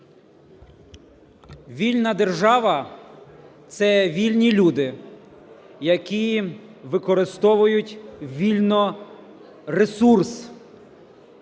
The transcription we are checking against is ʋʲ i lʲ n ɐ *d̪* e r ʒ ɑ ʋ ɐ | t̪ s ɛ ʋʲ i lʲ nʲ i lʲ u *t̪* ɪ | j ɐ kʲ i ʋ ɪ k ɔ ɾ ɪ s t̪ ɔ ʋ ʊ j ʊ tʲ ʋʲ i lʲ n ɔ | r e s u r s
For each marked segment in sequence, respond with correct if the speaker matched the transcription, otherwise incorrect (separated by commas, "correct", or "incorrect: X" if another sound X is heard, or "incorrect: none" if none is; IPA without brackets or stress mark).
correct, incorrect: d̪